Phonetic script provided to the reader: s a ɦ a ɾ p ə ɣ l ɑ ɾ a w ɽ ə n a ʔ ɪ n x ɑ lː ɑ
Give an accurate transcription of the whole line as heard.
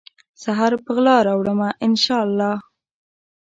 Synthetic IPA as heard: s a ɦ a ɾ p ə ɣ l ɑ ɾ a w ɽ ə m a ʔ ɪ n ʃ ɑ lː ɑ